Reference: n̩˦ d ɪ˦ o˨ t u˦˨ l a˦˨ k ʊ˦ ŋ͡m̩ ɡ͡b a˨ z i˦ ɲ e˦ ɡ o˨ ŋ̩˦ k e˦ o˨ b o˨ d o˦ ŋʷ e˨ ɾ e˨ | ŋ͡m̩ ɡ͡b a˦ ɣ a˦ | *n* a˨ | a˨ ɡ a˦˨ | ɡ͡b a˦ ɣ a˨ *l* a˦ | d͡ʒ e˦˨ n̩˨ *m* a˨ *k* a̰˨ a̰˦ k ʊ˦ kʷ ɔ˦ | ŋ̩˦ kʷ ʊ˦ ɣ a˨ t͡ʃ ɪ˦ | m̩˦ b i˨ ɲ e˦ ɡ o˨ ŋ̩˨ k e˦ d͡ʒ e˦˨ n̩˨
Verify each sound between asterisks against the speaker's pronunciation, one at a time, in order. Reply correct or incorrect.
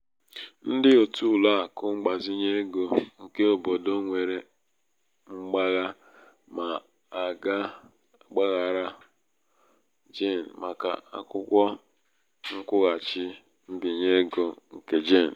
incorrect, incorrect, correct, correct

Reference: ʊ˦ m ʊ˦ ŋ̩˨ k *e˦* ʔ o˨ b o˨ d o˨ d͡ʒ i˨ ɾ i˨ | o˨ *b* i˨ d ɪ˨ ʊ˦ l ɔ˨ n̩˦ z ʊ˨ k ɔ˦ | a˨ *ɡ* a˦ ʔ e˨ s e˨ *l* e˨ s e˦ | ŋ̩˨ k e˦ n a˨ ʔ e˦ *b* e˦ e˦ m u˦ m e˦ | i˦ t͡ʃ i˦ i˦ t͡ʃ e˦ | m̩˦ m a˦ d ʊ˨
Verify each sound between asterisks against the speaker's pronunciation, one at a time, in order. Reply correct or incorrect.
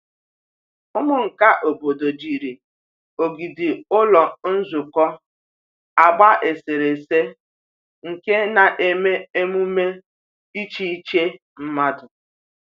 incorrect, incorrect, incorrect, incorrect, incorrect

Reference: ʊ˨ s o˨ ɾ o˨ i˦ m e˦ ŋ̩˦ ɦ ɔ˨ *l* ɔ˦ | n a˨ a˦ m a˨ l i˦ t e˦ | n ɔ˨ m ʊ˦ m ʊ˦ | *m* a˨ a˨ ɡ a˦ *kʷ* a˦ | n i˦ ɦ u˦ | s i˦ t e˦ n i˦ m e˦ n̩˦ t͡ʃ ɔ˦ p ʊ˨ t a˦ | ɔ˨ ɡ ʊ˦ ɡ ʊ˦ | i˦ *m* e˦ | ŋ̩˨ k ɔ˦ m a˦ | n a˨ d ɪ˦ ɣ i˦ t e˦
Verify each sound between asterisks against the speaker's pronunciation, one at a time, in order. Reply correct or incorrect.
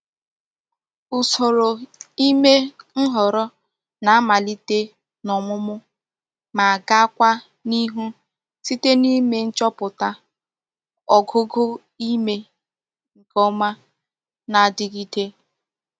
incorrect, correct, correct, correct

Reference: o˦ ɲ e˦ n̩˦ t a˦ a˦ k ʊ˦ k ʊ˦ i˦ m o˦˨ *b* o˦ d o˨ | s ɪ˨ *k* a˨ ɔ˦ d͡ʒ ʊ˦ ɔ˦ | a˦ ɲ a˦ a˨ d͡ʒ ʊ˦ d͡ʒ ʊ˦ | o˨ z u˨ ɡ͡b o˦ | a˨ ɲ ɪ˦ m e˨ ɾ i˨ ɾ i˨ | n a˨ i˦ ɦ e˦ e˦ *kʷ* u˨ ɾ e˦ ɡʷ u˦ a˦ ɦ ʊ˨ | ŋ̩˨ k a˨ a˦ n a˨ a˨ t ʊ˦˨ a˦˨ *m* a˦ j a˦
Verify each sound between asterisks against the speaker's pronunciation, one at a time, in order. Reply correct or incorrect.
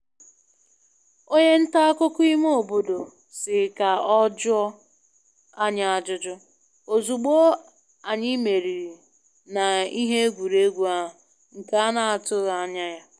correct, correct, incorrect, incorrect

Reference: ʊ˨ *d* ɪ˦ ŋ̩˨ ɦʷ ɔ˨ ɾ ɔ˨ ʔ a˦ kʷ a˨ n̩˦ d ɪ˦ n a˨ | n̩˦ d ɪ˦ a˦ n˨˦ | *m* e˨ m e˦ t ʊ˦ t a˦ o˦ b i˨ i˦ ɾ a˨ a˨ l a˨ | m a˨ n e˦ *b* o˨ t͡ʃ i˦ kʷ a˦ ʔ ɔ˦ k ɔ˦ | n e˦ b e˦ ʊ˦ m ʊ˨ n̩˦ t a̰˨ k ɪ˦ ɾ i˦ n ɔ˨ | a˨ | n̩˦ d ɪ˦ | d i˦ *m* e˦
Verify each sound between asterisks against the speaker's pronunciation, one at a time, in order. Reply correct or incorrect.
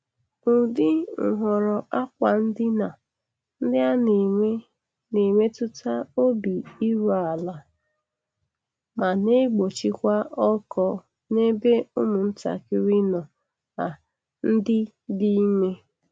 correct, incorrect, incorrect, correct

